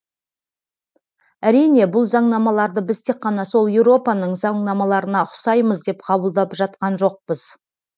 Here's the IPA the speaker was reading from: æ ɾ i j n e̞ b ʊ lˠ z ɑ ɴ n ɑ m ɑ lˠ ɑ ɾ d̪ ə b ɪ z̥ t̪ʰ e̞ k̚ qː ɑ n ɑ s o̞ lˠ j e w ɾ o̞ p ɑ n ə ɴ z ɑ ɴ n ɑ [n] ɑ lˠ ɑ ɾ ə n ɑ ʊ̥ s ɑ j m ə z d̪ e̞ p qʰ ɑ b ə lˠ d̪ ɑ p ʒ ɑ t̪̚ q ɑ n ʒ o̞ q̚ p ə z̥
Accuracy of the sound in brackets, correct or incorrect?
incorrect